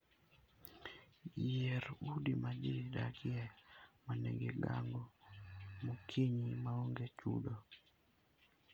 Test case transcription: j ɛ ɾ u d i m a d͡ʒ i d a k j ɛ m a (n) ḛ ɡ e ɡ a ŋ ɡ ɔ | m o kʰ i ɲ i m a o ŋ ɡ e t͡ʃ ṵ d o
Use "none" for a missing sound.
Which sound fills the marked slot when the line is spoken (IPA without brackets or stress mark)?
n